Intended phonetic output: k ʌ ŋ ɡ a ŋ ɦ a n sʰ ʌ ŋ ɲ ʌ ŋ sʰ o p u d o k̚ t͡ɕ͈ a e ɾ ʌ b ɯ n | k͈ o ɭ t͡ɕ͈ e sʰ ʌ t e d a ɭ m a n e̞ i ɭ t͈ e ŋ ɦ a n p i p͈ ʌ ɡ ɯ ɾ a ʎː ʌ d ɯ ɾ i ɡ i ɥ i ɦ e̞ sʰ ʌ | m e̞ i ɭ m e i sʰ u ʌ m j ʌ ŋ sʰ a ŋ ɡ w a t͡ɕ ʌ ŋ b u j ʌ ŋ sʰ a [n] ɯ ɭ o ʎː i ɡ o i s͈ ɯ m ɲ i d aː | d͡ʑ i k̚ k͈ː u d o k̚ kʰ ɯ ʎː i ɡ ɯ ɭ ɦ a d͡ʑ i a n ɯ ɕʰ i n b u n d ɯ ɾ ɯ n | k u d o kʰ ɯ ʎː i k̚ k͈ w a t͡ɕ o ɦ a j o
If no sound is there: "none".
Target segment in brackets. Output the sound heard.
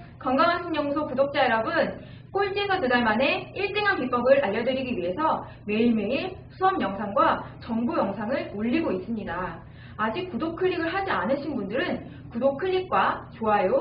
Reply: ŋ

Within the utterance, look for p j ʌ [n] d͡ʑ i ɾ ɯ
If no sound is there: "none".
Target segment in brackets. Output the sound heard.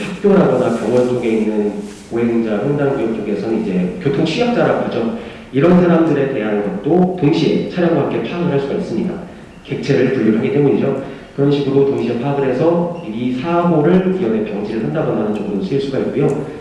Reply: ŋ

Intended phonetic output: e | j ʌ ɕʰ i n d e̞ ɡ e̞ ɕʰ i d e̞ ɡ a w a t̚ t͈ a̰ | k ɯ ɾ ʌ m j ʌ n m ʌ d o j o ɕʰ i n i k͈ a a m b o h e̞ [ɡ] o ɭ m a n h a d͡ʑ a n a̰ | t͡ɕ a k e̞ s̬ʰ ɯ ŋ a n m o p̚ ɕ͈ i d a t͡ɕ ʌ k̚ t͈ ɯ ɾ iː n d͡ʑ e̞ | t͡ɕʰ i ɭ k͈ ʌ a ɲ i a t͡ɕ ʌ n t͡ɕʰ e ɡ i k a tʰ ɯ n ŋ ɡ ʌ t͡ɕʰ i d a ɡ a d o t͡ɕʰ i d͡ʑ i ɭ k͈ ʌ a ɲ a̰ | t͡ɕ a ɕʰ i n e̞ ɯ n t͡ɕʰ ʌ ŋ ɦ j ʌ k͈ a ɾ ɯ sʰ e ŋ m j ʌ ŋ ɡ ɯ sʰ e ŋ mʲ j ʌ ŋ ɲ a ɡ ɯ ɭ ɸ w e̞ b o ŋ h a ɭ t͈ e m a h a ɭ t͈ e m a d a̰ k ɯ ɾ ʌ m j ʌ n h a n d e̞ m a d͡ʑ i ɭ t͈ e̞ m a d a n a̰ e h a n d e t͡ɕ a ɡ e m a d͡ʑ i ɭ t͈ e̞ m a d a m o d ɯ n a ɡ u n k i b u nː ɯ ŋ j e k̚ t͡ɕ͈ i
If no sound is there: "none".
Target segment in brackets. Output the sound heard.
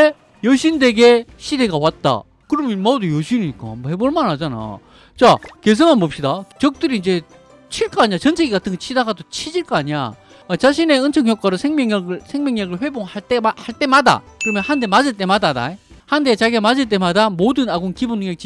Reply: b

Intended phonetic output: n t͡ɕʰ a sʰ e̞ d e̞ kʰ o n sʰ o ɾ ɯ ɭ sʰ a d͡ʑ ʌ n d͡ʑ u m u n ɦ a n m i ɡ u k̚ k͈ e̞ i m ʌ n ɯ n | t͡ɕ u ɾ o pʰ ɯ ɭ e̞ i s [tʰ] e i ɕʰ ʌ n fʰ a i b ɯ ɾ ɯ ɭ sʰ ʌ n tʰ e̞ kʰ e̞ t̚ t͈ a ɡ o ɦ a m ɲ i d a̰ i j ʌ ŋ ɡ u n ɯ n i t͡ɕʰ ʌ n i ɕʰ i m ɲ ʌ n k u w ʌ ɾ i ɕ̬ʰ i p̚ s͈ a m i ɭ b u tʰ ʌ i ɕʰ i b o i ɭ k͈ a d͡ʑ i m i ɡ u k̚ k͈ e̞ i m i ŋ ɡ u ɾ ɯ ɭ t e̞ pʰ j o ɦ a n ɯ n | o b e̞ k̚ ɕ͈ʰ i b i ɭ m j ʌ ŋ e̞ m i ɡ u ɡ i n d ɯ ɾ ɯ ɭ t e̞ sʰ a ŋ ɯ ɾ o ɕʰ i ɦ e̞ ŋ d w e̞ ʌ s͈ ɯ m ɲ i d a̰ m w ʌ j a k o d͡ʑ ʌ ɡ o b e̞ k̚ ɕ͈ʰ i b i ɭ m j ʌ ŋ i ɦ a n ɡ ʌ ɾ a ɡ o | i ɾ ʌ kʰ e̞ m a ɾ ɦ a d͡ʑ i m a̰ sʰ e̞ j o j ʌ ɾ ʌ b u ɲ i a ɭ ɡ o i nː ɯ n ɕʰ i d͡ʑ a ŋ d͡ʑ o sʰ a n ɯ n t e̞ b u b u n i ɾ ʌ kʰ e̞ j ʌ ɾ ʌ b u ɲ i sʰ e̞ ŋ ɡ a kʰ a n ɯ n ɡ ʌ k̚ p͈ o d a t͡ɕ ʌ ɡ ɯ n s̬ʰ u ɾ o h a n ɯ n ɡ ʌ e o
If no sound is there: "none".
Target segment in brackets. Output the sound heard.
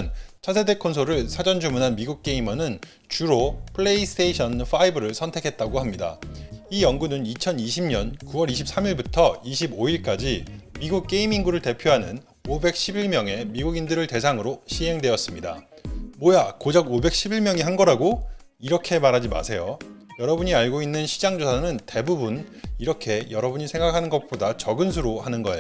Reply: tʰ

